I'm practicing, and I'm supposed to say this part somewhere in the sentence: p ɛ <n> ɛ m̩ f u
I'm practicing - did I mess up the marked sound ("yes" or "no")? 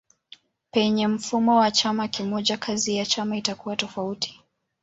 yes